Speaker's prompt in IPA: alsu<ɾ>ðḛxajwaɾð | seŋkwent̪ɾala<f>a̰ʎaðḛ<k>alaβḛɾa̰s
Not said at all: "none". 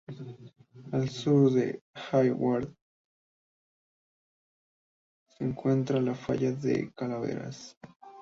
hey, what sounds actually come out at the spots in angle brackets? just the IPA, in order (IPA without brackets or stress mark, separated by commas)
ɾ, f, k